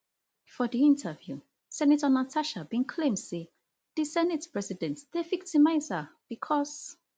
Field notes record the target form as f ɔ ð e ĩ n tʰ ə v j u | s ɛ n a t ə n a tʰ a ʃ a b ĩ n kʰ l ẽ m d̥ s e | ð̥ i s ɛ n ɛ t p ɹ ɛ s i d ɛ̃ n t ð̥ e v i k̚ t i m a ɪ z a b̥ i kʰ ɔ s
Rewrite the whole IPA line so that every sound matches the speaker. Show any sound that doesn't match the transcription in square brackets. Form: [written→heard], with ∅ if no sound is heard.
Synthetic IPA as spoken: f ɔ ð [e→i] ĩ n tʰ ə v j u | s ɛ n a t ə n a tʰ a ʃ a b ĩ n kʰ l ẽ m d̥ s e | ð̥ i s ɛ n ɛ t p ɹ ɛ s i d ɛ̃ n t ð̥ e v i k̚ t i m a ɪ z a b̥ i kʰ ɔ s